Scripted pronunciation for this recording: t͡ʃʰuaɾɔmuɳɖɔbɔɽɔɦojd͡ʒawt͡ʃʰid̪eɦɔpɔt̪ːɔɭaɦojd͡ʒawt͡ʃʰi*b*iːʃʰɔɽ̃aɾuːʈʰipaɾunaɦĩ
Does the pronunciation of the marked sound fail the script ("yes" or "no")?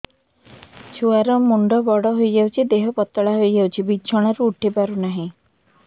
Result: no